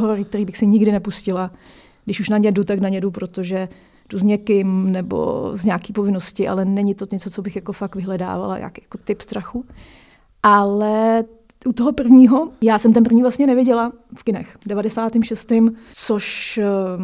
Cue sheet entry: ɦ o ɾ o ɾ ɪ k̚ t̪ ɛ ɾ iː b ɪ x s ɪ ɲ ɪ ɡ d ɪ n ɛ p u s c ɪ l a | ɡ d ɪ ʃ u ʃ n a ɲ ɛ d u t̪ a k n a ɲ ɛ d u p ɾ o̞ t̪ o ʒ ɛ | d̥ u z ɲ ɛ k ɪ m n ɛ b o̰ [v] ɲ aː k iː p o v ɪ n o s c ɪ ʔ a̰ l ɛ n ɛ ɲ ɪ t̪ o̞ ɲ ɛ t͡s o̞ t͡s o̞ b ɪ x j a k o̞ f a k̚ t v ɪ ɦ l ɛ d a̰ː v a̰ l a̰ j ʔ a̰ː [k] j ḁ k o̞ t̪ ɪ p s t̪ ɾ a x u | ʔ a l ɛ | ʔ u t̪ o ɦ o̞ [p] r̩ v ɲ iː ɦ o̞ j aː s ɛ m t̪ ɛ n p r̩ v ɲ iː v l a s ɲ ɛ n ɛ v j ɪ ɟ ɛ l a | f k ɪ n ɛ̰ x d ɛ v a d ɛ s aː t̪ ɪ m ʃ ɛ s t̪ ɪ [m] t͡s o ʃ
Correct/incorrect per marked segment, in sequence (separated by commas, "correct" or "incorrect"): incorrect, correct, correct, correct